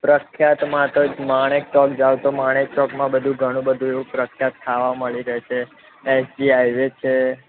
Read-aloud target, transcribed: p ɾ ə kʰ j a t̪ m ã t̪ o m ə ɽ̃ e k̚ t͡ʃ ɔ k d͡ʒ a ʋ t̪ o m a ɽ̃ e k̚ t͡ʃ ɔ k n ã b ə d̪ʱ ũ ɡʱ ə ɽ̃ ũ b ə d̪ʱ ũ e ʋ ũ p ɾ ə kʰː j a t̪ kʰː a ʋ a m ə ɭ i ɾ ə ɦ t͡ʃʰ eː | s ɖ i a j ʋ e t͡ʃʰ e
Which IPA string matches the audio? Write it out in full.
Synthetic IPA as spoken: p ɾ ə kʰ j a t̪ m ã t̪ o m a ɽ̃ e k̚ t͡ʃ ɔ k d͡ʒ a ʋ t̪ o m a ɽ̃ e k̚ t͡ʃ ɔ k m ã b ə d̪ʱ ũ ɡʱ ə ɽ̃ ũ b ə d̪ʱ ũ e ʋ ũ p ɾ ə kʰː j a t̪ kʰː a ʋ a m ə ɭ i ɾ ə ɦ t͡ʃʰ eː | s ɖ i a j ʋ e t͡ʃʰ e